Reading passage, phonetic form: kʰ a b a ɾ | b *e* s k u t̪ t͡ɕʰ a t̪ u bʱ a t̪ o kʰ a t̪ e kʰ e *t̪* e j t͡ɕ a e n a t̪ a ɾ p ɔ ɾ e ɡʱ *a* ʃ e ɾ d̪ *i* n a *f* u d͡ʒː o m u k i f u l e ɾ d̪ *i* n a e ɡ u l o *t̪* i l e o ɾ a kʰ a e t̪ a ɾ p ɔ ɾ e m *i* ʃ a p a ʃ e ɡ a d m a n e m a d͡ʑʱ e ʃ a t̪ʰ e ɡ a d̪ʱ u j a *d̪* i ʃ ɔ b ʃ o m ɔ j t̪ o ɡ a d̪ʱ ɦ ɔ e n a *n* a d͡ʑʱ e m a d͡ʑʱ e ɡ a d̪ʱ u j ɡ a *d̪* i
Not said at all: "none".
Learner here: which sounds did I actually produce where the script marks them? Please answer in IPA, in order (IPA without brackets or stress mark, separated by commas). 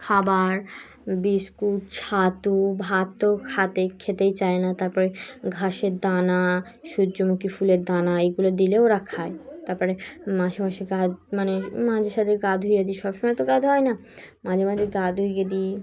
i, t̪, a, a, ʃ, a, d̪, a, d̪, m, d̪